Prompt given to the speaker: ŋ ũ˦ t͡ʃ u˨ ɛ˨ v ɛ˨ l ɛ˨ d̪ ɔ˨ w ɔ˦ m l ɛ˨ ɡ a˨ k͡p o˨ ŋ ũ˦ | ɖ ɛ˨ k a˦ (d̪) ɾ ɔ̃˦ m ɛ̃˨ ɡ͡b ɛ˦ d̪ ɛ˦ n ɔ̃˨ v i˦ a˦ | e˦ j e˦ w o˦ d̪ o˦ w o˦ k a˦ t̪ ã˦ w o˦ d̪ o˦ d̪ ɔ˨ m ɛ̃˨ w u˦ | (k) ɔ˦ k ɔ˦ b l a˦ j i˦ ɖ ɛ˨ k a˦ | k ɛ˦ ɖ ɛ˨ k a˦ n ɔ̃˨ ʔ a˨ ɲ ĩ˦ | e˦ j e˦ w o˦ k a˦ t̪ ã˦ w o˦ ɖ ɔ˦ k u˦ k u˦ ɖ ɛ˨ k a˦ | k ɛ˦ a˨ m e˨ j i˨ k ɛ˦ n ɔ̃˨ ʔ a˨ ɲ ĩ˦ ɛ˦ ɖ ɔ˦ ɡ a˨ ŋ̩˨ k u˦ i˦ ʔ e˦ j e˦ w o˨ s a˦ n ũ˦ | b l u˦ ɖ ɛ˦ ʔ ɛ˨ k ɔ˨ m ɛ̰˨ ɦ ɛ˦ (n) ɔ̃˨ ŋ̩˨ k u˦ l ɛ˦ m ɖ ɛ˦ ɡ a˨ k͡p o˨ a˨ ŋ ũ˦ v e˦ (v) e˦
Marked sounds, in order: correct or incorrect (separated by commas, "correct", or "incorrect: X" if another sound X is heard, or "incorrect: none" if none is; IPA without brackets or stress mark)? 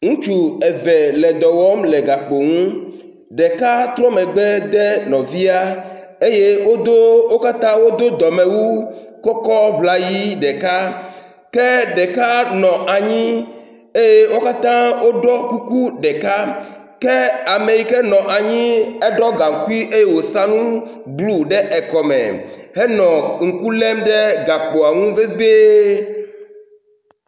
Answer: incorrect: t̪, correct, correct, correct